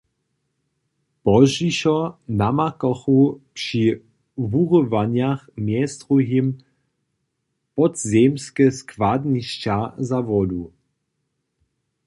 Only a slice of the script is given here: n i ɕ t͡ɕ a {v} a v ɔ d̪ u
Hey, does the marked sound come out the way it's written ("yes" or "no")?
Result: no